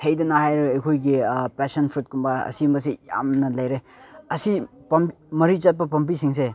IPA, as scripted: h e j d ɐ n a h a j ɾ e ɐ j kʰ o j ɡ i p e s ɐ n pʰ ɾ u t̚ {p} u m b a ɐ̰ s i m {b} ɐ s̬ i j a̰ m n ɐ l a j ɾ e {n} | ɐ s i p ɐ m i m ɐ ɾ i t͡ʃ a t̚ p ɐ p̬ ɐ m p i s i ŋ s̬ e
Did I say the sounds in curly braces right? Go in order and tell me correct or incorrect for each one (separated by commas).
incorrect, correct, incorrect